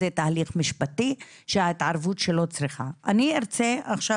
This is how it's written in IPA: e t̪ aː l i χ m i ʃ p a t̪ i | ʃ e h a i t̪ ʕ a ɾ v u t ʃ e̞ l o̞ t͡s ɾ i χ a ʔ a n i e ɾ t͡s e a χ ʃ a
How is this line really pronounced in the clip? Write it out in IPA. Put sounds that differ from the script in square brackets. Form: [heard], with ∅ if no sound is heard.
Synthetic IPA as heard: e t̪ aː l i χ m i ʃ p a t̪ i | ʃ e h a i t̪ ʕ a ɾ v u t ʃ e̞ l o̞ t͡s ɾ i χ a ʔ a n i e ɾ t͡s e a χ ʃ a